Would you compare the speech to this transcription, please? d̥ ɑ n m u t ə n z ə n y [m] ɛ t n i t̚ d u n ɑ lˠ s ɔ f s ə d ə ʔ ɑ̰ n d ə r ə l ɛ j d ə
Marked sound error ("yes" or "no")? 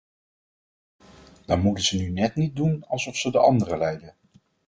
yes